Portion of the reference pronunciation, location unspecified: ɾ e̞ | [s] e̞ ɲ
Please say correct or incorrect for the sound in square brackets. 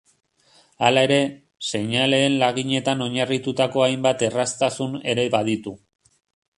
correct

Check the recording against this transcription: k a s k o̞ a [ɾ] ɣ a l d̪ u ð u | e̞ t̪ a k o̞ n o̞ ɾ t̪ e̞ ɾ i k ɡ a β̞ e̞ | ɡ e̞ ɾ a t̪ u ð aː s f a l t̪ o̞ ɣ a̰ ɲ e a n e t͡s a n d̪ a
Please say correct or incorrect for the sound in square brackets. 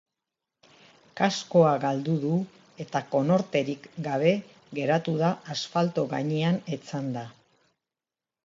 incorrect: none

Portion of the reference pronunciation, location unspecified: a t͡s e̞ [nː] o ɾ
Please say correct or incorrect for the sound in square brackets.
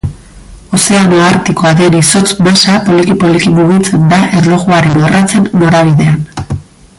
correct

